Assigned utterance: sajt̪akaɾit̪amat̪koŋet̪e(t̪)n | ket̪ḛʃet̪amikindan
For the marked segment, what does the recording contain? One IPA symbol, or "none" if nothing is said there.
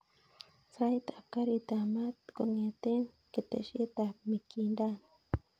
none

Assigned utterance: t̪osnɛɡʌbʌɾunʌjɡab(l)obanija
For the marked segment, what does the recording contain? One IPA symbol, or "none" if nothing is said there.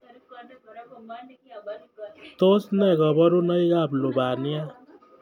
l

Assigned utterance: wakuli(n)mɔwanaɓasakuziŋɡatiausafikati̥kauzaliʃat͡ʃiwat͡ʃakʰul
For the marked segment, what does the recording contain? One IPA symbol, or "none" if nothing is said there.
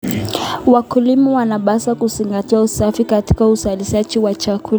none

